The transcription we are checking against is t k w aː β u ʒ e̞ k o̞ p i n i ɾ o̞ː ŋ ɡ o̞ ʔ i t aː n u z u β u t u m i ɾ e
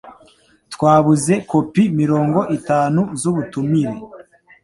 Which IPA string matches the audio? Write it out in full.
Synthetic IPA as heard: t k w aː β u z e̞ k o̞ p i m i ɾ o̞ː ŋ ɡ o̞ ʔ i t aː n u z u β u t u m i ɾ e